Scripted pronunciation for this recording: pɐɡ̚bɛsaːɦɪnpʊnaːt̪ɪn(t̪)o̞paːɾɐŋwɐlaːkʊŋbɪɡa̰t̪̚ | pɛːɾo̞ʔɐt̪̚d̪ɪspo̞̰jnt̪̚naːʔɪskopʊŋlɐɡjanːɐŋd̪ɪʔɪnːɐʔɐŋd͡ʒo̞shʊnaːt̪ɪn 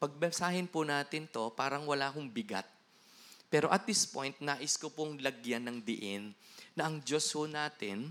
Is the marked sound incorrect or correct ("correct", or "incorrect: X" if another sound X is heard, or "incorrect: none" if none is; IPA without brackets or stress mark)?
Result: correct